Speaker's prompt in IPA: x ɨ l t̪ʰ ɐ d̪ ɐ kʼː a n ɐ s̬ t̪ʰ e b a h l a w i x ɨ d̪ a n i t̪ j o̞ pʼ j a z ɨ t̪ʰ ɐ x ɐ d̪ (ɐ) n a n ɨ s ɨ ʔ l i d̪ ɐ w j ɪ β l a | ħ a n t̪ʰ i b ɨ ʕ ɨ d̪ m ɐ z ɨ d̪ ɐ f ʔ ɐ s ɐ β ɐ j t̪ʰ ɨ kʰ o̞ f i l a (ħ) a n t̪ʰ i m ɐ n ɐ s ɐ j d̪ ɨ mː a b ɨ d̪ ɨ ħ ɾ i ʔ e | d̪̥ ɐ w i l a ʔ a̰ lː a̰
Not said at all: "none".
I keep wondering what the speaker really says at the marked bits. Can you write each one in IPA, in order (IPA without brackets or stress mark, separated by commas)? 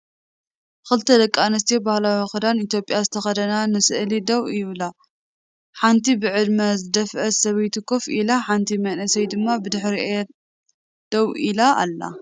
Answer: ɐ, ħ